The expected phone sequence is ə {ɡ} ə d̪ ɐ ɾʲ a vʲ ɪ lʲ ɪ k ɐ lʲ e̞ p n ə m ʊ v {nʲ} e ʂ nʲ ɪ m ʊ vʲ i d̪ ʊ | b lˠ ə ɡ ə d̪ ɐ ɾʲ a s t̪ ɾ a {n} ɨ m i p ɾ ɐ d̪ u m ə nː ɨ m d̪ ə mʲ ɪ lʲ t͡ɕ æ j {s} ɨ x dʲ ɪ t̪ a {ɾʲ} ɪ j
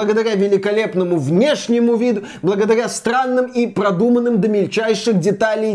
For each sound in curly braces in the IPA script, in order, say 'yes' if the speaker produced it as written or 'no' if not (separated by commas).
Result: yes, yes, no, no, no